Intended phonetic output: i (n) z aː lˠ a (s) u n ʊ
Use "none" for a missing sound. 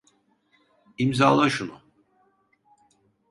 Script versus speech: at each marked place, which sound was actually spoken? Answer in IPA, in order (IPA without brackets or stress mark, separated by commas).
m, ʃ